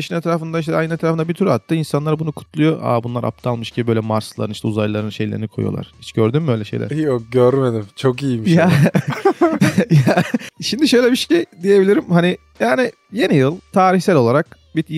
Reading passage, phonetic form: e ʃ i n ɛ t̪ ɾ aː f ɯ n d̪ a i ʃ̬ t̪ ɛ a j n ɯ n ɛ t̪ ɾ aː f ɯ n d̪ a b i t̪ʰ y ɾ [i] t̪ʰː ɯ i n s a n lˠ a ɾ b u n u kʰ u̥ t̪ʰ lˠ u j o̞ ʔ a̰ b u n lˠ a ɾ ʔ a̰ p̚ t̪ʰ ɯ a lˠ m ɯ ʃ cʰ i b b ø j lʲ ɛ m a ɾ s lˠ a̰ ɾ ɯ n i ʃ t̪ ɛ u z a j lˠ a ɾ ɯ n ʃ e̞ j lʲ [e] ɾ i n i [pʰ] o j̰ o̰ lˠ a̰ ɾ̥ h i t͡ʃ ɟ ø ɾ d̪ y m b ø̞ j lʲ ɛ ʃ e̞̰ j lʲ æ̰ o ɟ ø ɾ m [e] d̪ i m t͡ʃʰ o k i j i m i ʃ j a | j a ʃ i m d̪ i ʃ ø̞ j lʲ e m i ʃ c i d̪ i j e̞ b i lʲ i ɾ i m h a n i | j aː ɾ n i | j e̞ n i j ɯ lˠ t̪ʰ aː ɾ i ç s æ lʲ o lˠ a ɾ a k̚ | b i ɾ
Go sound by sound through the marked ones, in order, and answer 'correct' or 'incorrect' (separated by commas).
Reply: incorrect, correct, incorrect, correct